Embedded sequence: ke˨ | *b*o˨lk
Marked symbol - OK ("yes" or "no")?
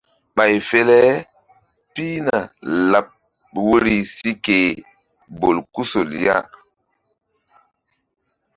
yes